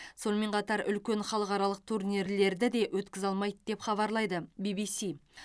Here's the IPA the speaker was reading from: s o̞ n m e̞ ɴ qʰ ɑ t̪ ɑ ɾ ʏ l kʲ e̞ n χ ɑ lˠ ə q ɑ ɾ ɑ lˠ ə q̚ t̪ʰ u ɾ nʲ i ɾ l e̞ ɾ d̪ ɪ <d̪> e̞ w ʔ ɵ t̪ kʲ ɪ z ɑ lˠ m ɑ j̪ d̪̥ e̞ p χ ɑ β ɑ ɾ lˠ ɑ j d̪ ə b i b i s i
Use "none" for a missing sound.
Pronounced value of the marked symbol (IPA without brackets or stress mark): d̪